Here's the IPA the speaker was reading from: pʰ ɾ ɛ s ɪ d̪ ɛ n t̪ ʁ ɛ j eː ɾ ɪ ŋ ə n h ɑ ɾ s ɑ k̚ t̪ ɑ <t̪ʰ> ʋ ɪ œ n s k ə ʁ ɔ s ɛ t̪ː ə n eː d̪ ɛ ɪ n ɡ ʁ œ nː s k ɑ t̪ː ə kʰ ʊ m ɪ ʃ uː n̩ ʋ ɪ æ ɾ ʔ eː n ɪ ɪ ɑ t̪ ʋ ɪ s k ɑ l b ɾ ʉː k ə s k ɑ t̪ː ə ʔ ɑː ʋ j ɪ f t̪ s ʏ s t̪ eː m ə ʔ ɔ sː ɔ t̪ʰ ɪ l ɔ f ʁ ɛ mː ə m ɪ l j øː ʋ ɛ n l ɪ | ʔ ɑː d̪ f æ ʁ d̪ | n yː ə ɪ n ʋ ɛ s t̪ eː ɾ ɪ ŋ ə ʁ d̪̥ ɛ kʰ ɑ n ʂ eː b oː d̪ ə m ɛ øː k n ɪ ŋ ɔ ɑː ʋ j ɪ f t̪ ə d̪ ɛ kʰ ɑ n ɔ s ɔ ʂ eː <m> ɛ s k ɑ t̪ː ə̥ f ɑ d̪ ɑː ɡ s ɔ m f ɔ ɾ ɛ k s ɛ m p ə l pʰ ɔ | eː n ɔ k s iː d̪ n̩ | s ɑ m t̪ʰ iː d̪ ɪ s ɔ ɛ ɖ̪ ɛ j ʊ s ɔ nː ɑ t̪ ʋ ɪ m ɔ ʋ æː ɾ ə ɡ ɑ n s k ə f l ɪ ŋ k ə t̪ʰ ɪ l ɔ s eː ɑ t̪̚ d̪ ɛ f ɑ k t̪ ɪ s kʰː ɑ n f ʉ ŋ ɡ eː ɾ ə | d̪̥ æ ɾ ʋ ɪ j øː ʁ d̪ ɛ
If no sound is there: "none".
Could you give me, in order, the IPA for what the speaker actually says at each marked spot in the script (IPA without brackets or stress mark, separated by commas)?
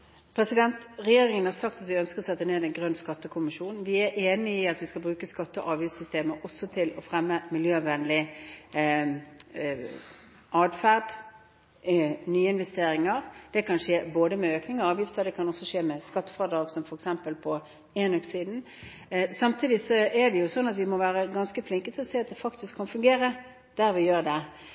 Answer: t̪, m